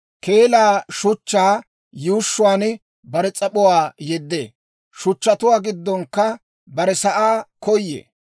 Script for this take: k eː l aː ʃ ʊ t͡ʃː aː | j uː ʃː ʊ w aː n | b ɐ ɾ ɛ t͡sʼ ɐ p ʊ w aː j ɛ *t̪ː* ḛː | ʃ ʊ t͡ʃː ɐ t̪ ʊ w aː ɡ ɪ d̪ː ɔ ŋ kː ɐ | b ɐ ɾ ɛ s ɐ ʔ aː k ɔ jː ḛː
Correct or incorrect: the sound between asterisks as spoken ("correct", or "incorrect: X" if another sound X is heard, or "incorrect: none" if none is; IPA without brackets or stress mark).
incorrect: d̪ː